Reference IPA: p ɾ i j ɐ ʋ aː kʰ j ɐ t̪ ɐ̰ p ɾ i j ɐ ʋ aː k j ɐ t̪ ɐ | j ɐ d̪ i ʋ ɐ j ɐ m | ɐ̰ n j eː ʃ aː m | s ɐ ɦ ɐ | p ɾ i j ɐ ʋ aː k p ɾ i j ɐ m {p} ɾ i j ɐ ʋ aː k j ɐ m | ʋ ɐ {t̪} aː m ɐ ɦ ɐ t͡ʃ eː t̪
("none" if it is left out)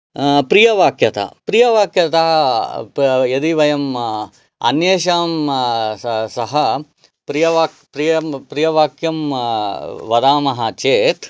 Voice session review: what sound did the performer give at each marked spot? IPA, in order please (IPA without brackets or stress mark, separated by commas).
p, d̪